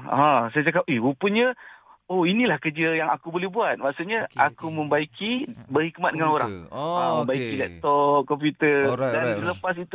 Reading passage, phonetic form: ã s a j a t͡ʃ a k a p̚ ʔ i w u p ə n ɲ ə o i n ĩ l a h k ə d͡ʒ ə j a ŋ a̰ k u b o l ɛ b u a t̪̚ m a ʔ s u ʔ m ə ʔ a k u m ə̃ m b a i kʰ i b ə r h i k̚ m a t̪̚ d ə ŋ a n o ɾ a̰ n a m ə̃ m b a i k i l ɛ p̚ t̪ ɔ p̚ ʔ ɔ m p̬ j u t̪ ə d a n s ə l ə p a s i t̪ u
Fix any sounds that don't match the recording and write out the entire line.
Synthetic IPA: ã s a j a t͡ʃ a k a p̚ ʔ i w u p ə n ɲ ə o i n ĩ l a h k ə d͡ʒ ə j a ŋ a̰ k u b o l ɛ b u a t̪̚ m a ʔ s u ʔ ɲ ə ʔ a k u m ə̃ m b a i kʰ i b ə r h i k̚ m a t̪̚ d ə ŋ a n o ɾ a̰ ŋ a m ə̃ m b a i k i l ɛ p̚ t̪ ɔ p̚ k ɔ m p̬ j u t̪ ə d a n s ə l ə p a s i t̪ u